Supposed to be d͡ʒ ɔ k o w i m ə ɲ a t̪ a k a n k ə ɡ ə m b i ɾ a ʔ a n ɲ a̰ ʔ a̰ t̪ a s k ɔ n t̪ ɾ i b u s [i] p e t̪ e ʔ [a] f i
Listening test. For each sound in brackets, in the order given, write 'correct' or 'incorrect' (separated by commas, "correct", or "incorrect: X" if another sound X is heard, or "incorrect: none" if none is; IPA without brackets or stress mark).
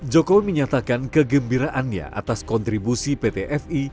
correct, incorrect: ɛ